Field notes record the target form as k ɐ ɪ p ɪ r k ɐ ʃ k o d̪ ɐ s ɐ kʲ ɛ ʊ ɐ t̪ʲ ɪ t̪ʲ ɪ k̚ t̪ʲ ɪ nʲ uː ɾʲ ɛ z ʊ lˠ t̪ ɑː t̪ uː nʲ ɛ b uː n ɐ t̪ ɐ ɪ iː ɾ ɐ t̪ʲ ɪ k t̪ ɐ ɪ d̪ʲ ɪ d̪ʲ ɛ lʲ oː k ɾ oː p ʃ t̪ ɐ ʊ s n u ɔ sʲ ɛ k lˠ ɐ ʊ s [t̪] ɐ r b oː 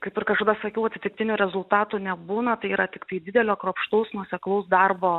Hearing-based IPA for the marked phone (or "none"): d̪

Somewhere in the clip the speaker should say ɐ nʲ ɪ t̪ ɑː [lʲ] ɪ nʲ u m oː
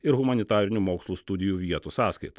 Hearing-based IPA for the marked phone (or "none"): ɾʲ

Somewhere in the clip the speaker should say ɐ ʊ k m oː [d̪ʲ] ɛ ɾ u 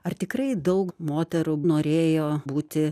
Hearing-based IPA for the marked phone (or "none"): t̪ʲ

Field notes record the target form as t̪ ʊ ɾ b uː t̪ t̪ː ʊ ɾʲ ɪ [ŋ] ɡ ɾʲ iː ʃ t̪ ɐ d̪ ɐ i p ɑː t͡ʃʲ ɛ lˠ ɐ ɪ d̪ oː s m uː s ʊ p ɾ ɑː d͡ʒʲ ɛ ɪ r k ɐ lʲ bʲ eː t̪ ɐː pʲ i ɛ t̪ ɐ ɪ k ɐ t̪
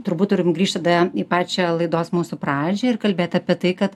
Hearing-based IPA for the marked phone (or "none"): m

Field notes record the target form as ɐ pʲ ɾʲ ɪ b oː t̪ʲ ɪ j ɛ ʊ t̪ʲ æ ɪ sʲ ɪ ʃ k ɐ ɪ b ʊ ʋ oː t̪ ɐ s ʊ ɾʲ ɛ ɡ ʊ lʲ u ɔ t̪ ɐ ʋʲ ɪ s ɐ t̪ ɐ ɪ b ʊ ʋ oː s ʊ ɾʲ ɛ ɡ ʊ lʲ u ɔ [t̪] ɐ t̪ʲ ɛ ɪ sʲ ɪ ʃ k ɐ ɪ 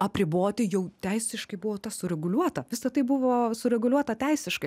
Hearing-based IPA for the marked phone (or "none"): t̪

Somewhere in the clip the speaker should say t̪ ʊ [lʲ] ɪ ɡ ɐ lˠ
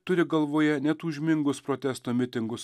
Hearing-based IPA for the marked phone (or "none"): ɾʲ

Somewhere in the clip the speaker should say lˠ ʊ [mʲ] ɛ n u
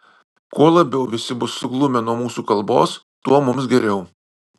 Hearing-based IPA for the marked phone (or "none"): mʲ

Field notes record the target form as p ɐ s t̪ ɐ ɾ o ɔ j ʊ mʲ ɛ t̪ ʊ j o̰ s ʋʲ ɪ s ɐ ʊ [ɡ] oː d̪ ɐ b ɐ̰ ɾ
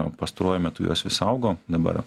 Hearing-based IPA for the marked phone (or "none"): ɡ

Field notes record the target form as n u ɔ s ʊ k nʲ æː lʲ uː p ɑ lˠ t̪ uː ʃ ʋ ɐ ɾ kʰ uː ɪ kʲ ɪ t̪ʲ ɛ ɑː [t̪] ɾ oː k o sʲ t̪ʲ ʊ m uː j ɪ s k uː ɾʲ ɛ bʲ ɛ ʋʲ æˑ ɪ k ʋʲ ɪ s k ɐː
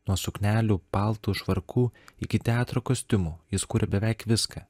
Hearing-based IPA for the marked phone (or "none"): t̪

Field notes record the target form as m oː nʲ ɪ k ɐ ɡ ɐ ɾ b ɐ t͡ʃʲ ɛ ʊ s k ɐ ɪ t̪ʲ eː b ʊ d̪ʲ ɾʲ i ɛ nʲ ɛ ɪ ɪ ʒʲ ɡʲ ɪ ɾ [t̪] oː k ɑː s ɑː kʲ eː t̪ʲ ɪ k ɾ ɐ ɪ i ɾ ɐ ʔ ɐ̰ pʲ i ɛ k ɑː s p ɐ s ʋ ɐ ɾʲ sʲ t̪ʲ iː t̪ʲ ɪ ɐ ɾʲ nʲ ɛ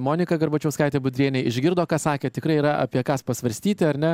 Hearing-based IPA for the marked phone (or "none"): d̪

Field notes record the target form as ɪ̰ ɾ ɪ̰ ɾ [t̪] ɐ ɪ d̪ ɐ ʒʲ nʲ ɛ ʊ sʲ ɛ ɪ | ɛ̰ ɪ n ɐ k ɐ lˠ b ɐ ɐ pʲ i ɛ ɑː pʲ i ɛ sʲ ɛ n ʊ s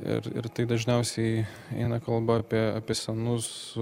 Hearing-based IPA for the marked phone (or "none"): t̪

